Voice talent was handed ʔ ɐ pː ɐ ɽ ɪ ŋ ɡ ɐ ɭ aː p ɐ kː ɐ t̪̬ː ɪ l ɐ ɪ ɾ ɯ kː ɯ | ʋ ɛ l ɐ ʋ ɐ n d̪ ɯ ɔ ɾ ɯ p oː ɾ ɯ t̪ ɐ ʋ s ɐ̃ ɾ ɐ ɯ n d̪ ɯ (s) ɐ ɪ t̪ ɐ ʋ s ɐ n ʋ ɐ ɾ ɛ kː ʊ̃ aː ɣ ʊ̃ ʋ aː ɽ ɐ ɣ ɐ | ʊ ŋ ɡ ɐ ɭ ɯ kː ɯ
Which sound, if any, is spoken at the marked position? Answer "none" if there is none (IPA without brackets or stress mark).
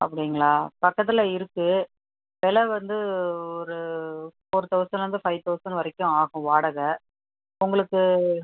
f